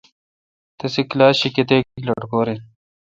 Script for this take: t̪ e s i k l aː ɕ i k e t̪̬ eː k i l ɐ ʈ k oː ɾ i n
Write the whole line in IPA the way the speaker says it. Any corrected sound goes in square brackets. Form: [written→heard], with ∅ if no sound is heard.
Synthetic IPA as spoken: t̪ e s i k l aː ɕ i k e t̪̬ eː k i l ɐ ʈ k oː ɾ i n

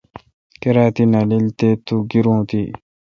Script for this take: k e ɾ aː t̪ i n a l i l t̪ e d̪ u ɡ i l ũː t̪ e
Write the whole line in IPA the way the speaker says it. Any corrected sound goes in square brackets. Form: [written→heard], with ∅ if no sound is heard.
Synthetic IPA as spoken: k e ɾ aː t̪ i n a l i l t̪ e [d̪→t̪] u ɡ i [l→ɾ] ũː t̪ [e→i]

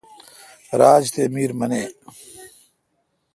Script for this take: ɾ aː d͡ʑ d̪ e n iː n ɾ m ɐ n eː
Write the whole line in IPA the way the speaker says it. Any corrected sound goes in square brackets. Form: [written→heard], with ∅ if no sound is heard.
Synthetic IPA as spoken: ɾ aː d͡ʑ [d̪→t̪] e [n→m] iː [n→∅] ɾ m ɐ n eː

